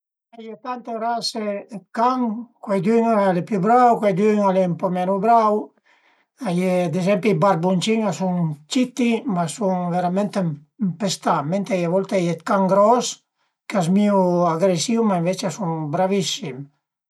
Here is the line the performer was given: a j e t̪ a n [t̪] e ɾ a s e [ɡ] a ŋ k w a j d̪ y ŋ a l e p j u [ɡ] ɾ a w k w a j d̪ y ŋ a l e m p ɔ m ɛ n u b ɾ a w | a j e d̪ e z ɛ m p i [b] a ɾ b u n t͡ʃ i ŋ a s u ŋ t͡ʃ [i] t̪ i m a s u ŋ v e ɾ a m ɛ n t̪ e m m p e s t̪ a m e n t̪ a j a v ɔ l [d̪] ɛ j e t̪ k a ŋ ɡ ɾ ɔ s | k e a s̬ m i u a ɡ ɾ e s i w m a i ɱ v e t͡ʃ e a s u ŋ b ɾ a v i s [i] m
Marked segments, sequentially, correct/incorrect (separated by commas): correct, incorrect, incorrect, correct, correct, incorrect, correct